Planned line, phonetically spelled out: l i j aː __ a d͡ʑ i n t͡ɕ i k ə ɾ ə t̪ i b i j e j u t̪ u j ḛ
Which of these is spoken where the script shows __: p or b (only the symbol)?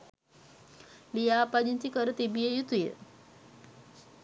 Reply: p